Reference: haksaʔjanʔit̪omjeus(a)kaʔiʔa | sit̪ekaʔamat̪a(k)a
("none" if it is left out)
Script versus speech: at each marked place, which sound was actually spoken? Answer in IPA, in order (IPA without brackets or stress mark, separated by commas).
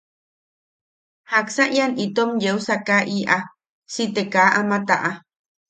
a, ʔ